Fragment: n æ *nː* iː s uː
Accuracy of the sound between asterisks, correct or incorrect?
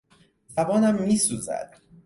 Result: incorrect